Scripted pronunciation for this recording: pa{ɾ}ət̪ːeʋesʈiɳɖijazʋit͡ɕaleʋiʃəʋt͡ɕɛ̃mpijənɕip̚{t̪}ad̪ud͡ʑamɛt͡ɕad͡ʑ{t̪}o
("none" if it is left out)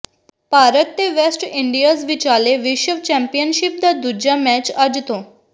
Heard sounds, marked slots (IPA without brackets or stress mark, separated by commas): ɾ, d̪, t̪